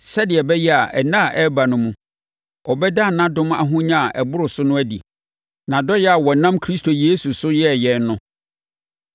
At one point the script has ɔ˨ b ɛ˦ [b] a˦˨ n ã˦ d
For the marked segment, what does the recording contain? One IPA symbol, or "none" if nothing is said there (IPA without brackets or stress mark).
d